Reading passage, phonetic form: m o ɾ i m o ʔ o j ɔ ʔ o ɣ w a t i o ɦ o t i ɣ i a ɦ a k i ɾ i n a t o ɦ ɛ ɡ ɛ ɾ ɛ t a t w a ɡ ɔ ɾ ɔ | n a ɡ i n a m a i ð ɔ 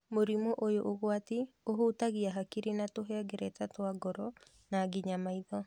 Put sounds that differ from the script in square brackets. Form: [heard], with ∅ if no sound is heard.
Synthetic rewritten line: m o ɾ i m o ʔ o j [o] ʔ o ɣ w a t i o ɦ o t [a] ɣ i a ɦ a k i ɾ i n a t o ɦ ɛ ɡ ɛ ɾ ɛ t a t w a ɡ ɔ ɾ ɔ | n a ɡ i [ɲ] a m a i ð ɔ

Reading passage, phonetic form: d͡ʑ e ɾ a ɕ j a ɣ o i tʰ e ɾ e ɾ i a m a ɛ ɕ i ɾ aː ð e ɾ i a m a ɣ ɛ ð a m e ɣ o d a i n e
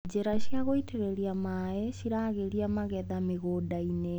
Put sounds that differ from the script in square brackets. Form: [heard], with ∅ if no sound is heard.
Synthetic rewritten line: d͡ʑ e ɾ a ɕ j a ɣ o i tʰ e ɾ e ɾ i a m a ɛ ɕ i ɾ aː [ɣ] e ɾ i a m a ɣ ɛ ð a m e ɣ o d a i n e

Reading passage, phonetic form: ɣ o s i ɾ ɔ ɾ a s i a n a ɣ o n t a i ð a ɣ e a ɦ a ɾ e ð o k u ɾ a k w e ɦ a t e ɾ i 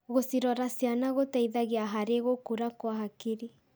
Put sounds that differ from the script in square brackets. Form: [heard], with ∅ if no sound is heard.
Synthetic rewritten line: ɣ o s i ɾ ɔ ɾ a s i a n a ɣ o [∅] t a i ð a ɣ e a ɦ a ɾ e [ɣ] o k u ɾ a k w [a] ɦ a [k] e ɾ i

